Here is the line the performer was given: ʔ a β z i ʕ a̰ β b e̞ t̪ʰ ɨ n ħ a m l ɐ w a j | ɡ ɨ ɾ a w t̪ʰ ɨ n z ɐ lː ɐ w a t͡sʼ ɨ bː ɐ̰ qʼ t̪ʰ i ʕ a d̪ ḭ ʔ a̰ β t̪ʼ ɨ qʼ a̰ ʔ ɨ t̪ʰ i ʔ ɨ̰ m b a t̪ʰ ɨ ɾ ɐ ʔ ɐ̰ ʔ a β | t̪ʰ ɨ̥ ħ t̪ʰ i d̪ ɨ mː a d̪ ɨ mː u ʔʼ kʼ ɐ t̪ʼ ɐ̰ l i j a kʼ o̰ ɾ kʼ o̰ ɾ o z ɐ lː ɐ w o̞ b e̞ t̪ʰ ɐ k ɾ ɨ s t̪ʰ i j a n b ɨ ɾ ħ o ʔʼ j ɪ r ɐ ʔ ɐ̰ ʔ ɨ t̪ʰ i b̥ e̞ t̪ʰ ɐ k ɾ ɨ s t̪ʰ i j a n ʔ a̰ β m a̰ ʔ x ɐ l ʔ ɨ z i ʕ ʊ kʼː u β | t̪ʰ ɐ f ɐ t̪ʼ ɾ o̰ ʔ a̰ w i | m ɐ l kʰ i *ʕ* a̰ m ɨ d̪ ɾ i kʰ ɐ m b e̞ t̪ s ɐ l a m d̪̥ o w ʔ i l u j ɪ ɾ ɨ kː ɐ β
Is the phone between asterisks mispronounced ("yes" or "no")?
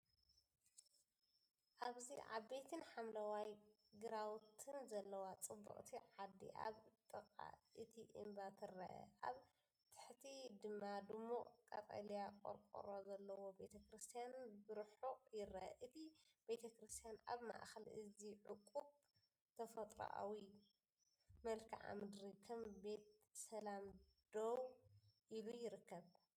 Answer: no